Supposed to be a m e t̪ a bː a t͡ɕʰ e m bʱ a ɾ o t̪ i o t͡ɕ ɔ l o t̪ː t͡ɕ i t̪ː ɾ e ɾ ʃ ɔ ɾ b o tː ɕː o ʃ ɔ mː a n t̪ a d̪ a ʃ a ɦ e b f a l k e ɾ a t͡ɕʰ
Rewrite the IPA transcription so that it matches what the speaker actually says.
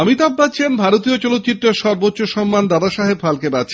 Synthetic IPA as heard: a m i t̪ a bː a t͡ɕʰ e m bʱ a ɾ o t̪ i o t͡ɕ ɔ l o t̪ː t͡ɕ i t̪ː ɾ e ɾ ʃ ɔ ɾ b o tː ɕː o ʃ ɔ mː a n d̪ a d̪ a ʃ a ɦ e b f a l k e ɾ a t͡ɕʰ